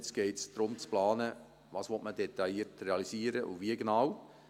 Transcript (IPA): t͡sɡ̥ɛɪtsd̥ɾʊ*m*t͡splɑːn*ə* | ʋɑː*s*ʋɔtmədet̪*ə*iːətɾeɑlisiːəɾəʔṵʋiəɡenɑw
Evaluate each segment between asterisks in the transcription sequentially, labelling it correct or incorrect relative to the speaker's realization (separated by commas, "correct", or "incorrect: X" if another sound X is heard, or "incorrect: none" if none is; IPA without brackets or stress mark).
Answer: correct, correct, correct, incorrect: ɑ